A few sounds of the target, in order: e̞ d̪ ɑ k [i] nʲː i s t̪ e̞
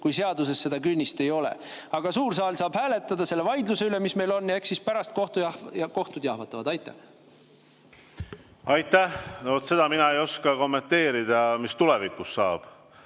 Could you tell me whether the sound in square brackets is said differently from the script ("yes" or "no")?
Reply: yes